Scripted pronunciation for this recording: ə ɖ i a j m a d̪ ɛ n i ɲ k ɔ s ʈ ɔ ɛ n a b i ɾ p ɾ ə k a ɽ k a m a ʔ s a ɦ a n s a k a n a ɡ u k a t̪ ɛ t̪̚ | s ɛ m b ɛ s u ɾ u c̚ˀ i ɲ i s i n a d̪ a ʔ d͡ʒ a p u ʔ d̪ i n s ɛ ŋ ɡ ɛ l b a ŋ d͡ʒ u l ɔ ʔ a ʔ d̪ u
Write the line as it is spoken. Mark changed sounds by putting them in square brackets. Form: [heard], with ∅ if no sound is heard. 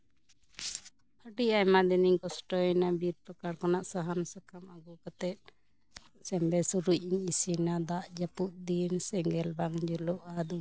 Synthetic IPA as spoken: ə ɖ i a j m a d̪ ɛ n i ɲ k ɔ s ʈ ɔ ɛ n a b i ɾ p ɾ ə k a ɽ k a [n] a ʔ s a ɦ a n s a k a [m] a ɡ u k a t̪ ɛ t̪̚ | s ɛ m b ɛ s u ɾ u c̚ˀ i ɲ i s i n a d̪ a ʔ d͡ʒ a p u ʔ d̪ i n s ɛ ŋ ɡ ɛ l b a ŋ d͡ʒ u l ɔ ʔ a [∅] d̪ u